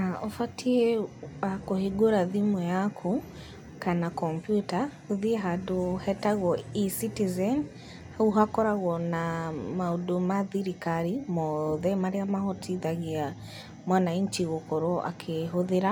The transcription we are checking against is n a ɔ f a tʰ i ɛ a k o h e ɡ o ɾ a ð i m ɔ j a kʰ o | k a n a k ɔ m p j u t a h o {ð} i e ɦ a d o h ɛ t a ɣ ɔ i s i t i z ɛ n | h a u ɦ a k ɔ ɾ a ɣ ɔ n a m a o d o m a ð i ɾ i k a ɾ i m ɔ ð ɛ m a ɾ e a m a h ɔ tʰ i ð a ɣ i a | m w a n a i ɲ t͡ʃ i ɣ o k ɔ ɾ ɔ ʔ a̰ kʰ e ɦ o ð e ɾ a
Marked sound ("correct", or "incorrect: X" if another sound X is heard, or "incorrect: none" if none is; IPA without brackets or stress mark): correct